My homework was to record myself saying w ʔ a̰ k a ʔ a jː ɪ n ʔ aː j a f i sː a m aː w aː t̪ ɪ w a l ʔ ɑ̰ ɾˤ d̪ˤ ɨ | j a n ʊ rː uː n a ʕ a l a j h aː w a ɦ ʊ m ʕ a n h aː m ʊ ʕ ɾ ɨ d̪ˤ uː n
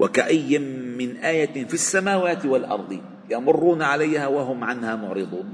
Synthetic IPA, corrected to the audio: w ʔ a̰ k a ʔ a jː ɪ n ʔ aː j a f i sː a m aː w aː t̪ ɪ w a l ʔ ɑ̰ ɾˤ d̪ˤ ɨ | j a m ʊ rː uː n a ʕ a l a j h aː w a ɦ ʊ m ʕ a n h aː m ʊ ʕ ɾ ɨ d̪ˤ uː n